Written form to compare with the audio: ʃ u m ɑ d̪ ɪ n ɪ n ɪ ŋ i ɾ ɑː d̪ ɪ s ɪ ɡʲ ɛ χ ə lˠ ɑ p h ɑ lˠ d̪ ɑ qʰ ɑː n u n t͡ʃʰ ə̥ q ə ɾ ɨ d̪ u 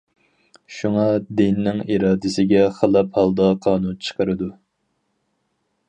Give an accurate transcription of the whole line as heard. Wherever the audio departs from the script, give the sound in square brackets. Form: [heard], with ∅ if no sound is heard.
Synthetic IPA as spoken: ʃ u [ŋ] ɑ d̪ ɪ n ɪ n ɪ ŋ i ɾ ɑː d̪ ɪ s ɪ ɡʲ ɛ χ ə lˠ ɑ p h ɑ lˠ d̪ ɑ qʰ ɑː n u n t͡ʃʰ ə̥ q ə ɾ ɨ d̪ u